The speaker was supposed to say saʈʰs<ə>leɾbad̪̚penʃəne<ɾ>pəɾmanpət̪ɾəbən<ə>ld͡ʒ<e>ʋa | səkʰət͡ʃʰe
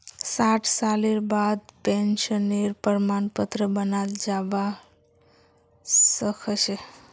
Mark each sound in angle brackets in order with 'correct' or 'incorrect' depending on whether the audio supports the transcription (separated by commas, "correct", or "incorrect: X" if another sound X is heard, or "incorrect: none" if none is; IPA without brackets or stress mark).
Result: incorrect: a, correct, incorrect: a, incorrect: a